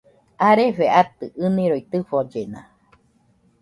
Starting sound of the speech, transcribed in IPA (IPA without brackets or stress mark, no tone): a